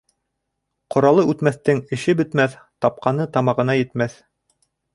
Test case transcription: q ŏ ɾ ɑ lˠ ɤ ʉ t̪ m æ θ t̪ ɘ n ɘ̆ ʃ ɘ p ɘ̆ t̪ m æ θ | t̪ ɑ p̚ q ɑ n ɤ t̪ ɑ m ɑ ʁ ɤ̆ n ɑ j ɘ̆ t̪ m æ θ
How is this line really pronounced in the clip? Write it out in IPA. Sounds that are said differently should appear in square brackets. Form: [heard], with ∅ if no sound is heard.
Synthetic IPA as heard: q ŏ ɾ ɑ lˠ ɤ ʉ t̪ m æ θ t̪ ɘ [ŋ] ɘ̆ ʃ ɘ [b] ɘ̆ t̪ m æ θ | t̪ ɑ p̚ q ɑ n ɤ t̪ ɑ m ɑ ʁ ɤ̆ n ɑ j ɘ̆ t̪ m æ θ

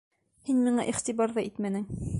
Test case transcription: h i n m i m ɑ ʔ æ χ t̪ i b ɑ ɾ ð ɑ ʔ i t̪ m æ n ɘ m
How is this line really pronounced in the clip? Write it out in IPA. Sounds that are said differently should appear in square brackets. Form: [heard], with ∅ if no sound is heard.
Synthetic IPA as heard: h i n m i [ɴ] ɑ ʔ [i] χ t̪ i b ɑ ɾ ð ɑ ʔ i t̪ m æ n ɘ [ŋ]

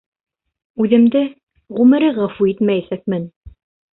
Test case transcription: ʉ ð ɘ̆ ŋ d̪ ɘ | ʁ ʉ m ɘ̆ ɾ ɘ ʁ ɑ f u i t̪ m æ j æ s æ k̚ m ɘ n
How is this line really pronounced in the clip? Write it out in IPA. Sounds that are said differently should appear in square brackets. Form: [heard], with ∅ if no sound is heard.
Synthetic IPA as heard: ʉ ð ɘ̆ [m] d̪ ɘ | ʁ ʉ m ɘ̆ ɾ ɘ ʁ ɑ f u i t̪ m æ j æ s æ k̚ m ɘ n

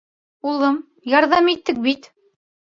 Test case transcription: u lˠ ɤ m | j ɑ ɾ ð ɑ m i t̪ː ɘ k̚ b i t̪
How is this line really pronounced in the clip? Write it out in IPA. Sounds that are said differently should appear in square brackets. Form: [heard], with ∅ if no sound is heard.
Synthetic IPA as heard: u lˠ ɤ m | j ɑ ɾ ð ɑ m i t̪ː ɘ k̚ b i t̪

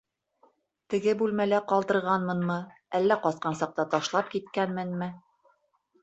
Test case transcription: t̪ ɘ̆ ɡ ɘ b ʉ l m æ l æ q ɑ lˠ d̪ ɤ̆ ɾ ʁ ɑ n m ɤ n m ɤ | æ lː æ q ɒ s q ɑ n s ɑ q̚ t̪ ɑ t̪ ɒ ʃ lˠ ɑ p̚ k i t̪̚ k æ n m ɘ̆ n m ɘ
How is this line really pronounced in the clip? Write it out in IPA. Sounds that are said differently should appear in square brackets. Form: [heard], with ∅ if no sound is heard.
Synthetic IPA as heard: t̪ ɘ̆ ɡ ɘ b ʉ l m æ l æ q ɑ lˠ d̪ ɤ̆ ɾ ʁ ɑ n m ɤ n m ɤ | æ lː æ q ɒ s q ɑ n s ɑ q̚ t̪ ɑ t̪ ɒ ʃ lˠ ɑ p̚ k i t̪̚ k æ n m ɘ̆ n m ɘ

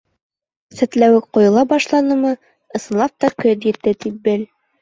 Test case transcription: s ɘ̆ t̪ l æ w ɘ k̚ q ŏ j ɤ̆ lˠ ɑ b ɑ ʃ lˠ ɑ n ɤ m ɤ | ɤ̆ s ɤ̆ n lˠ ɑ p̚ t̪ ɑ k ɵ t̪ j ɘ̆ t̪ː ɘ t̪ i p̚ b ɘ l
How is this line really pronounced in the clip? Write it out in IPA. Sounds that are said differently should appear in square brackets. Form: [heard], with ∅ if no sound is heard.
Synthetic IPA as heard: s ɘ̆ t̪ l æ w ɘ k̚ q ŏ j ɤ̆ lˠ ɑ b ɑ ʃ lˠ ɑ n ɤ m ɤ | ɤ̆ s ɤ̆ n lˠ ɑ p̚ t̪ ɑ k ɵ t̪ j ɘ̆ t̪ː ɘ t̪ i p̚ b ɘ l

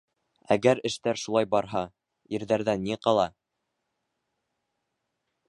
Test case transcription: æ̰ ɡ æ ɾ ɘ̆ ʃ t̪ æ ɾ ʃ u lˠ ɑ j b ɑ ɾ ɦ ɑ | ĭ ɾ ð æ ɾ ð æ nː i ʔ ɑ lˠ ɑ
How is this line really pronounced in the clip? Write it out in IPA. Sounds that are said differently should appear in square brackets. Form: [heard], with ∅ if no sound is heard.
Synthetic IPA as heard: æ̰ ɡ æ ɾ ɘ̆ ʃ t̪ æ ɾ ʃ u lˠ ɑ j b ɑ ɾ ɦ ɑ | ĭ ɾ ð æ ɾ ð æ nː i [q] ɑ lˠ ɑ

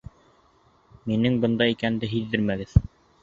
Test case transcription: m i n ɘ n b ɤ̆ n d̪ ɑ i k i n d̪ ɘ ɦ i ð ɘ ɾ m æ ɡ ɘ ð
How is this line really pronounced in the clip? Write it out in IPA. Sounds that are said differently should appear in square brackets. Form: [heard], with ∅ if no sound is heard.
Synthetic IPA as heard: m i n ɘ [ŋ] b ɤ̆ n d̪ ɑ i k [æ] n d̪ ɘ ɦ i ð ɘ ɾ m æ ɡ ɘ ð

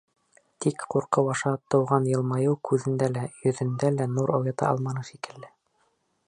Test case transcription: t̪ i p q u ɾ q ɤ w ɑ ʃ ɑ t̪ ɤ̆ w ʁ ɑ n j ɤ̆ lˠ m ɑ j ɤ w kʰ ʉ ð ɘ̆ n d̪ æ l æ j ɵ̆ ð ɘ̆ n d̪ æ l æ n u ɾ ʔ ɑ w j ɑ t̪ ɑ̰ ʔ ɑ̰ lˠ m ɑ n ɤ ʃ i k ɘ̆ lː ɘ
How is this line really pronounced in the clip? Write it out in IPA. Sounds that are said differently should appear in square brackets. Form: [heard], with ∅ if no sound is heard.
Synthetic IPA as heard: t̪ i [k] q u ɾ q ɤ w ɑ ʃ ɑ t̪ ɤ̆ w ʁ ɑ n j ɤ̆ lˠ m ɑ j ɤ w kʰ ʉ ð ɘ̆ n d̪ æ l æ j ɵ̆ ð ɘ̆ n d̪ æ l æ n u ɾ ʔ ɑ w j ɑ t̪ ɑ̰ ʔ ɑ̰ lˠ m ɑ n ɤ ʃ i k ɘ̆ lː ɘ

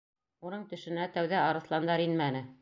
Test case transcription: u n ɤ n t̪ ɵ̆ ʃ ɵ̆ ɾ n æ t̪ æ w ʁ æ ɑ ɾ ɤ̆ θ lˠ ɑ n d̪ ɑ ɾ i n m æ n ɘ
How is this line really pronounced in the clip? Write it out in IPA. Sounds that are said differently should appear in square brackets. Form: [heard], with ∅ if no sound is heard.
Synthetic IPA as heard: u n ɤ [ɴ] t̪ ɵ̆ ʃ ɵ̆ [∅] n æ t̪ æ w [ð] æ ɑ ɾ ɤ̆ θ lˠ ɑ n d̪ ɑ ɾ i n m æ n ɘ

